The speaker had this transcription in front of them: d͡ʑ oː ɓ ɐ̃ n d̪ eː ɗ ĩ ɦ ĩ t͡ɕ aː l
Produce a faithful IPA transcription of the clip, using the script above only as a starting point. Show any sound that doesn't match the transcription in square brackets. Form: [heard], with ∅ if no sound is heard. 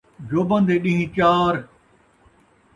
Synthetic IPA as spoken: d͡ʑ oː [b] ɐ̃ n d̪ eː ɗ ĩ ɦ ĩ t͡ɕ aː [ɾ]